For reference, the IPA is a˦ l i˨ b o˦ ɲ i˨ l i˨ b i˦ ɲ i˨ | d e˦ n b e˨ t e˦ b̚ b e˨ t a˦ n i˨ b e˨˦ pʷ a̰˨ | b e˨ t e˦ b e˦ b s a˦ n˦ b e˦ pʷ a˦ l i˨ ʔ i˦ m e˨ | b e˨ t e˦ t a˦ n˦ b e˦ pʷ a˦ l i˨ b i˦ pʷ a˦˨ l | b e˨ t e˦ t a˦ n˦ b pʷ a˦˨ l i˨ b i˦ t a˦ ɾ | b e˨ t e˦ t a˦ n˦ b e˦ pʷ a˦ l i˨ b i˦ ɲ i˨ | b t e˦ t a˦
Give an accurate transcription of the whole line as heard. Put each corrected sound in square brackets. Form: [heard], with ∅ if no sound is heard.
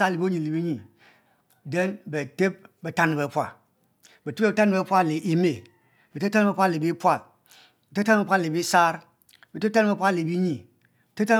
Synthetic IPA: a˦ l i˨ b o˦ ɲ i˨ l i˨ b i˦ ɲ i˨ | d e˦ n b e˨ t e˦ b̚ b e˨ t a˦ n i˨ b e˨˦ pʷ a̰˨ | b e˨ t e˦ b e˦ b [t] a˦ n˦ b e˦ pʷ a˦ l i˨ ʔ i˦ m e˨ | b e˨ t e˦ t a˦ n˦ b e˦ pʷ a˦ l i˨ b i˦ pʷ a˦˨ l | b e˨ t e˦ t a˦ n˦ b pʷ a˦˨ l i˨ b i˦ [s] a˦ ɾ | b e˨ t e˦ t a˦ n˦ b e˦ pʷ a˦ l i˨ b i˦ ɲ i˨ | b t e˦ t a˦

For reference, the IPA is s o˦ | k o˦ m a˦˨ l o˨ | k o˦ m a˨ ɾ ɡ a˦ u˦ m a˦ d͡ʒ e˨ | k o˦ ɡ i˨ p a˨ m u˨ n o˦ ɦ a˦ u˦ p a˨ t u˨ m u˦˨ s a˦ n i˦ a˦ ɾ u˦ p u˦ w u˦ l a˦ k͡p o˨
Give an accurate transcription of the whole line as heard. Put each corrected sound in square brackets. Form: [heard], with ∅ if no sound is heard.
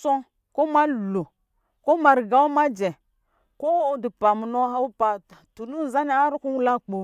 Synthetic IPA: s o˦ | k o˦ m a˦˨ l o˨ | k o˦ m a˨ ɾ ɡ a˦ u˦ m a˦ d͡ʒ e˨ | k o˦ [d] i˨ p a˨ m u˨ n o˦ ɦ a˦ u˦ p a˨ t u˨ [n] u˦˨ [z] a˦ n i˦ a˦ ɾ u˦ [k] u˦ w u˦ l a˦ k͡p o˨

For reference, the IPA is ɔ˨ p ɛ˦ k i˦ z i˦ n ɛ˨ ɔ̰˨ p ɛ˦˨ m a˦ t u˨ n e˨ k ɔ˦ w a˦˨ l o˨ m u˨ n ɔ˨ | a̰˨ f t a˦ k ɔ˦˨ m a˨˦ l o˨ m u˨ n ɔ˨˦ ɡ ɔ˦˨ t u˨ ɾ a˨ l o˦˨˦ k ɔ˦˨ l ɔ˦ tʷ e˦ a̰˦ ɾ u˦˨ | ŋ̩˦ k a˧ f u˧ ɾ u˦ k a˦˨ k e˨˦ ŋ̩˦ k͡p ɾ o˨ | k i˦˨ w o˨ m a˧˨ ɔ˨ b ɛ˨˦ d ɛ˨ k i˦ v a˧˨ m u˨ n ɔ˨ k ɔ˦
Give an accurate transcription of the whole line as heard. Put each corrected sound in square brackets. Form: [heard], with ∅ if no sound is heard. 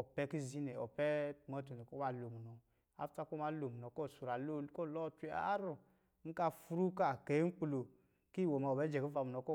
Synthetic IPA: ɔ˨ p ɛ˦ k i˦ z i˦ n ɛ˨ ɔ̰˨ p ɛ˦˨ m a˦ t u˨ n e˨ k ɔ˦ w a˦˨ l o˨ m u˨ n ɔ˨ | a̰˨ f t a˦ k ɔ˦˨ m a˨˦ l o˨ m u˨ n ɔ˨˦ [k] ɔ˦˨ [s] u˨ ɾ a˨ l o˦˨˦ k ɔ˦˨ l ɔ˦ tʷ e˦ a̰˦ ɾ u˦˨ | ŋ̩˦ k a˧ f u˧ ɾ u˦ k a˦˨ k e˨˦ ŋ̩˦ k͡p [l] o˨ | k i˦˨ w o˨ m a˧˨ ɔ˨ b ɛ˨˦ [d͡ʒ] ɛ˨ k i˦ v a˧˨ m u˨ n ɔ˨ k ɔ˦

